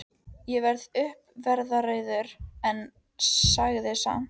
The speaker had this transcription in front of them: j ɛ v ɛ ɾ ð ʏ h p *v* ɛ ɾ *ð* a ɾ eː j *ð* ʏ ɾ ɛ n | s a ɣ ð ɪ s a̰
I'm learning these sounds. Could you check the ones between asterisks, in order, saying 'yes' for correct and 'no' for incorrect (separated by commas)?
yes, yes, yes